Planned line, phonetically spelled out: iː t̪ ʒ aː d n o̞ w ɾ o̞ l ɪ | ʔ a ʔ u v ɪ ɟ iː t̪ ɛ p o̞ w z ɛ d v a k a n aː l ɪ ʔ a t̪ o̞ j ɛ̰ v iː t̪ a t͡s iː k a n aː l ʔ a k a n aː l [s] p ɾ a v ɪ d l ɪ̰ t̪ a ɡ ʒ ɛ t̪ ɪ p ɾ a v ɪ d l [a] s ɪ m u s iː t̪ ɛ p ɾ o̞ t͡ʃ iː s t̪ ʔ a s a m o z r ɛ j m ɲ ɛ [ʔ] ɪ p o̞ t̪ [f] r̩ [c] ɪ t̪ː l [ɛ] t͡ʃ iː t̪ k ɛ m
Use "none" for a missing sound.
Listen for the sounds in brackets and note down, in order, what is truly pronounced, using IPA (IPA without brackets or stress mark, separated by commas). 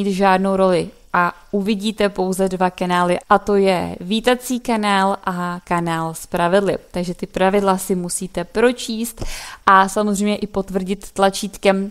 s, a, ʔ, v, ɟ, a